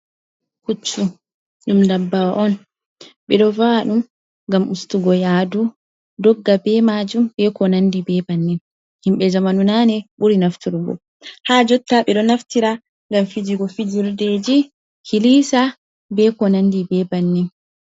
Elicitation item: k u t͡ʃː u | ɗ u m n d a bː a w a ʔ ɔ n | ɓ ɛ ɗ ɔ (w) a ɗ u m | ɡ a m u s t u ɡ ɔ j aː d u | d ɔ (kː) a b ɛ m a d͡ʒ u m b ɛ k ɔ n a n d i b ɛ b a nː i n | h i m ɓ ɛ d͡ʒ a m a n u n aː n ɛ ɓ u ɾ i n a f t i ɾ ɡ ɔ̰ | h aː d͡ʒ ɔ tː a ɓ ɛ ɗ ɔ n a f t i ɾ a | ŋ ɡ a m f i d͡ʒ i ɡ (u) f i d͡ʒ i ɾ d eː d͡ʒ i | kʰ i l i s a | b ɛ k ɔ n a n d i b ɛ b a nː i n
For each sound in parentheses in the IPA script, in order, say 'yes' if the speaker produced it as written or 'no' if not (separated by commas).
no, no, no